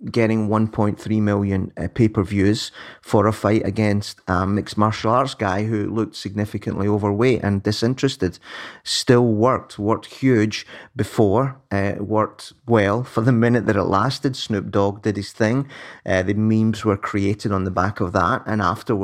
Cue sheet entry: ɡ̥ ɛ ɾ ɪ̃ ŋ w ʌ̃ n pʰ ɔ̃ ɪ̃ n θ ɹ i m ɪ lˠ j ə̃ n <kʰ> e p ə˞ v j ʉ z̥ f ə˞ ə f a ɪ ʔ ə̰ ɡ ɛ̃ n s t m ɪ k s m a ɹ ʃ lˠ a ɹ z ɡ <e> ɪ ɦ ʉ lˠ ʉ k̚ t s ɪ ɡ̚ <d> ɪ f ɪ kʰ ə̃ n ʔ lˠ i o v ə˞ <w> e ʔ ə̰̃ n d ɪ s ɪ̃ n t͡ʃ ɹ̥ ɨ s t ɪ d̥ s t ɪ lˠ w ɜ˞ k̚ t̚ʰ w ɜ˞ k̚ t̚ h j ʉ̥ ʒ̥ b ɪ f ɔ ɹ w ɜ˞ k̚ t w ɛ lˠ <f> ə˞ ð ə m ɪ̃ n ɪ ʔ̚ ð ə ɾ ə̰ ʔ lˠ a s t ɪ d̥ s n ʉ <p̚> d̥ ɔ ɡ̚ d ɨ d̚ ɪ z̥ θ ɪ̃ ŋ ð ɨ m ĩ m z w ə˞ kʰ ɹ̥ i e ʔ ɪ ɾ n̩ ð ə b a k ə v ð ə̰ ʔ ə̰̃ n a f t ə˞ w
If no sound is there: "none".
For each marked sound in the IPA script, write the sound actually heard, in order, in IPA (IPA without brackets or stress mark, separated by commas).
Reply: pʰ, a, n, w, f, p̚